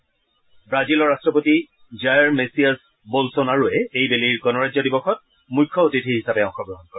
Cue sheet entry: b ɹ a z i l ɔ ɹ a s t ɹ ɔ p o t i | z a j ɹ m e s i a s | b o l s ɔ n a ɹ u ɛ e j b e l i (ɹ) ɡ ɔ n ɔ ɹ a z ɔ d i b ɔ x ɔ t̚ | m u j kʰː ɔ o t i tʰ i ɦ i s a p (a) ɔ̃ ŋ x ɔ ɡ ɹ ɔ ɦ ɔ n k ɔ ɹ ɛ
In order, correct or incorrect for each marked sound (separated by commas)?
correct, incorrect